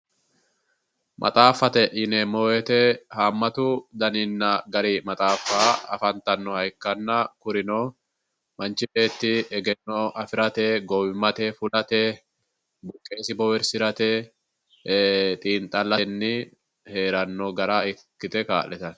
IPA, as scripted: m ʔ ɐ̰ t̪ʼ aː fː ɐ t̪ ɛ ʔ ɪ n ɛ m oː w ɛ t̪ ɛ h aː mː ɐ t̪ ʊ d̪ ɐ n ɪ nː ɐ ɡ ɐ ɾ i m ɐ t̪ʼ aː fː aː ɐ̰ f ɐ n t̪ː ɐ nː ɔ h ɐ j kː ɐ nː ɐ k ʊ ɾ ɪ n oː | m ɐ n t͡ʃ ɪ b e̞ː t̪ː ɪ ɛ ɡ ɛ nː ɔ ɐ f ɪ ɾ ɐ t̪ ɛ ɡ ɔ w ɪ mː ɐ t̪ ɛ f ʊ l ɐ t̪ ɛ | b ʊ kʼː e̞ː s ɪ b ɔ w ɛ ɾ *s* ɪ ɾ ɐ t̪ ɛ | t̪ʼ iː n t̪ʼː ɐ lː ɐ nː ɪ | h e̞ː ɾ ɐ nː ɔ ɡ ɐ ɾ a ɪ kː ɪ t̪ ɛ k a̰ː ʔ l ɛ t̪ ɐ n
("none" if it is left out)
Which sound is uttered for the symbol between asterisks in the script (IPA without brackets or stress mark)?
s